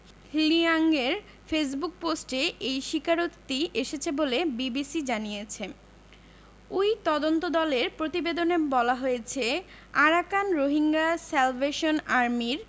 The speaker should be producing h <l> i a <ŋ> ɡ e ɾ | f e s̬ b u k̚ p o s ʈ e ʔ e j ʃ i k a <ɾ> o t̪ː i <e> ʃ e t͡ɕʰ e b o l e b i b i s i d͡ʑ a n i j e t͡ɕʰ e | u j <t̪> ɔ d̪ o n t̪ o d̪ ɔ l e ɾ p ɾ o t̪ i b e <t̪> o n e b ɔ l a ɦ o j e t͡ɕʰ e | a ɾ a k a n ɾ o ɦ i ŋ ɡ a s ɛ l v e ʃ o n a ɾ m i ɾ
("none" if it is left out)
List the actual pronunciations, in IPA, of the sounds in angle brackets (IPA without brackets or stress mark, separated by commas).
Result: l, ŋ, ɾ, e, t̪, d̪